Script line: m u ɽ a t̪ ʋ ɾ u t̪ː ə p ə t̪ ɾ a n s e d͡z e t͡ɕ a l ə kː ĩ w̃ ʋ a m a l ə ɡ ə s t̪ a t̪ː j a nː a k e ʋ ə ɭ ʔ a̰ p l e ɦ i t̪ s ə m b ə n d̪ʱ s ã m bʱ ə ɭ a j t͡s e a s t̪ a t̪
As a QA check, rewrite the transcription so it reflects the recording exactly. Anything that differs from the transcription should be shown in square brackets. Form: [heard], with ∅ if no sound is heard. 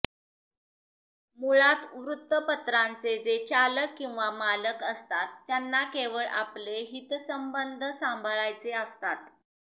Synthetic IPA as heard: m u [ɭ] a t̪ ʋ ɾ u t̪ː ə p ə t̪ ɾ a n [t͡s] e d͡z e t͡ɕ a l ə kː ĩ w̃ ʋ a m a l ə [k] ə s t̪ a t̪ː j a nː a k e ʋ ə ɭ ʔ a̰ p l e ɦ i t̪ s ə m b ə n d̪ʱ s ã m bʱ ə ɭ a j t͡s e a s t̪ a t̪